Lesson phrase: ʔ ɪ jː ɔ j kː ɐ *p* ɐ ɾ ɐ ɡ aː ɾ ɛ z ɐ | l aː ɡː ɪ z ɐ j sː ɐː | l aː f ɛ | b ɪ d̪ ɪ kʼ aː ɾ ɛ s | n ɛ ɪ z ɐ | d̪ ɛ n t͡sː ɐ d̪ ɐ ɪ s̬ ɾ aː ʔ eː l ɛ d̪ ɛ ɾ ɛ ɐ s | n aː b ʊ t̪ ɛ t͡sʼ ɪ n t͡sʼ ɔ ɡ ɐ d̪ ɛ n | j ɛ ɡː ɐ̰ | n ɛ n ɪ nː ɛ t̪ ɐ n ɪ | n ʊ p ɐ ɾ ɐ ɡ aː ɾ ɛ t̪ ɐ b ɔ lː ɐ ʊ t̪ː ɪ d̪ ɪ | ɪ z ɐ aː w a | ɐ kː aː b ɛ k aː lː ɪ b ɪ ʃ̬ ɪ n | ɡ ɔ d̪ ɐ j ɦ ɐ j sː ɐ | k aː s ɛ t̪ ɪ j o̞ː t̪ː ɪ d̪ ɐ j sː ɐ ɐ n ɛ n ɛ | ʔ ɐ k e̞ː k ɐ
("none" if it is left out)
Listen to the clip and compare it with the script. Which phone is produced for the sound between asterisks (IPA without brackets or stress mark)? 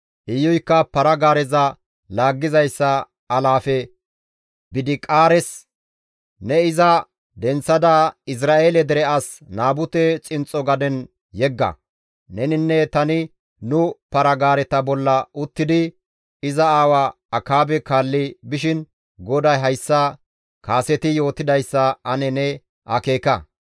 p